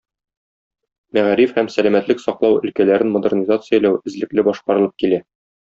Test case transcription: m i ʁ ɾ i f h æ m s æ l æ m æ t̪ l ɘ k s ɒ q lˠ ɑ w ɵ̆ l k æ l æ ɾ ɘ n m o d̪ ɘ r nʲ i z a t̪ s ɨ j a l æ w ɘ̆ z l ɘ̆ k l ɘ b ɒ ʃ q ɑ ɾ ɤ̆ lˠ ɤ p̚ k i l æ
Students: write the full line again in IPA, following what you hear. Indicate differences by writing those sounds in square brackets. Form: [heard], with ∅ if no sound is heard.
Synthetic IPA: m [æ] ʁ ɾ i f h æ m s æ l æ m æ t̪ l ɘ k s ɒ q lˠ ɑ w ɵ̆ l k æ l æ ɾ ɘ n m o d̪ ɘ r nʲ i z a t̪ s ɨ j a l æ w ɘ̆ z l ɘ̆ k l ɘ b ɒ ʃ q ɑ ɾ ɤ̆ lˠ ɤ p̚ k i l æ